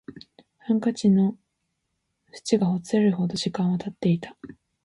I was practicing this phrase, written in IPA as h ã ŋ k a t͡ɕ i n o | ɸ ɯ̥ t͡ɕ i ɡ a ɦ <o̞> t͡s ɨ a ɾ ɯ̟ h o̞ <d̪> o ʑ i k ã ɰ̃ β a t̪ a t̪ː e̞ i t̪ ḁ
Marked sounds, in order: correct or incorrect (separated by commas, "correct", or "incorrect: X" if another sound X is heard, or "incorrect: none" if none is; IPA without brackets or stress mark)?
correct, correct